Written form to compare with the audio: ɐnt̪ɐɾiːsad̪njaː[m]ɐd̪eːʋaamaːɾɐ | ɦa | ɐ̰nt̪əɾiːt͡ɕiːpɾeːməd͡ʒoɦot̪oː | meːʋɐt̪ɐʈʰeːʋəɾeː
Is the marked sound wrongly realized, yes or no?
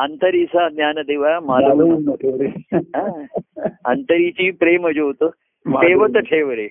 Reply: yes